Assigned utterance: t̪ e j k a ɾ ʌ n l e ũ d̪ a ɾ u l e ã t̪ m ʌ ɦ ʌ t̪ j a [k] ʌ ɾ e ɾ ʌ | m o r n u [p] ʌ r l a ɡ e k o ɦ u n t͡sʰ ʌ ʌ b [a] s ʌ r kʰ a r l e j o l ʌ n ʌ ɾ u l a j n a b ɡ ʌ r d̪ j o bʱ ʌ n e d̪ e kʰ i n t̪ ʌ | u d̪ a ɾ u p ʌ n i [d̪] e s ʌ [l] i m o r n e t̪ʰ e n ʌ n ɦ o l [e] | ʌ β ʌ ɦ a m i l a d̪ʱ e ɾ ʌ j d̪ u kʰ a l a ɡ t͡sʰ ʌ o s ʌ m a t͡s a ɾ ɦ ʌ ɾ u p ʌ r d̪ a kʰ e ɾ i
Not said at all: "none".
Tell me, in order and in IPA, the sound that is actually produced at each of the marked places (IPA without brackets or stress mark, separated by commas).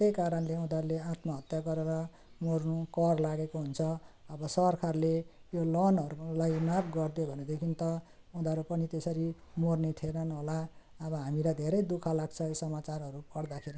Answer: ɡ, k, ʌ, t̪, ɾ, a